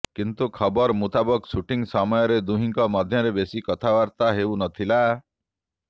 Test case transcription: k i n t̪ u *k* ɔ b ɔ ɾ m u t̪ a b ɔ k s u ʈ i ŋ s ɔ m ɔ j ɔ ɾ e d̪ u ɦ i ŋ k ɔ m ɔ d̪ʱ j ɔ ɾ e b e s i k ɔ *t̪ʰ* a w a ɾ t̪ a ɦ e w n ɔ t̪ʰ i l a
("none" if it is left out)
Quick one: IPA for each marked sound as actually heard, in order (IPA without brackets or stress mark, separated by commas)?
kʰ, t̪ʰ